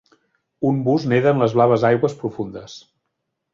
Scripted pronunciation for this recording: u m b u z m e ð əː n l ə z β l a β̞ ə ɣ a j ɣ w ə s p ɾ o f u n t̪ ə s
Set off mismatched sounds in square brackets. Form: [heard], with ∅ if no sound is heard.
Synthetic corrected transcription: u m b u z [n] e ð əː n l ə z β l a β̞ ə [z] a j ɣ w ə s p ɾ [u] f u n [d̪] ə s

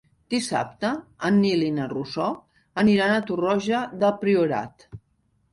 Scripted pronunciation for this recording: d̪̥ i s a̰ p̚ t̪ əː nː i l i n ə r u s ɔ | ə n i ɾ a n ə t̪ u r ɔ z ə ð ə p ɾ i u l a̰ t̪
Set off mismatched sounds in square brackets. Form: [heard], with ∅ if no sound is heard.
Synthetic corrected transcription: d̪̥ i s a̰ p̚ t̪ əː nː i l i n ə r u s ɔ | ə n i ɾ a n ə t̪ u r ɔ [ʒ] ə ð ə p ɾ i u [ɾ] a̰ t̪

